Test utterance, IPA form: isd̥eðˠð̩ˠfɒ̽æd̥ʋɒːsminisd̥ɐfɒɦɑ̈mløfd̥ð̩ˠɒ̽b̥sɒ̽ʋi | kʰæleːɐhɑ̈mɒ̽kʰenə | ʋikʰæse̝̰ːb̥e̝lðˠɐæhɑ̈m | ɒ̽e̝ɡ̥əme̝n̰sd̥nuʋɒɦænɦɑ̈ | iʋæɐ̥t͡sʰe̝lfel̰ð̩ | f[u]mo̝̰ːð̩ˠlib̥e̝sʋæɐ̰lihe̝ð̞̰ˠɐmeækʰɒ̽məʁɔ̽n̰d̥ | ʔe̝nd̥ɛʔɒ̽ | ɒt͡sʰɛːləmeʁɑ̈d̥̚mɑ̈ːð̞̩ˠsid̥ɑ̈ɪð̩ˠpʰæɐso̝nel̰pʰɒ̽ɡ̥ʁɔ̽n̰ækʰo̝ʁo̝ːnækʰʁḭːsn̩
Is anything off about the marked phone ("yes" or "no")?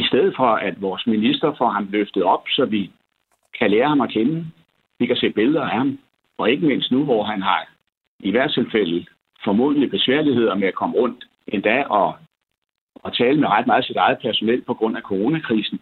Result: yes